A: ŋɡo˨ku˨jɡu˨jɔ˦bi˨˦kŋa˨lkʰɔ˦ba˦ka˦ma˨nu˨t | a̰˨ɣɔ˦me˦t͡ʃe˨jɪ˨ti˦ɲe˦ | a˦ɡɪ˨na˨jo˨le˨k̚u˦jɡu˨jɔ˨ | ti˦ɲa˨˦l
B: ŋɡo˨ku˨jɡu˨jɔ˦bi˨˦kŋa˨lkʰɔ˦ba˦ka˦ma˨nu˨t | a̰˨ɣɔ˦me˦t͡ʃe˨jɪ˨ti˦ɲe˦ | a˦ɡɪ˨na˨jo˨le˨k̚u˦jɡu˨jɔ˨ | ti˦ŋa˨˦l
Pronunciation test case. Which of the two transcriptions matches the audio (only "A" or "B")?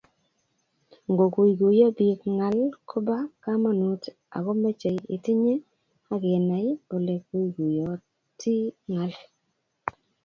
B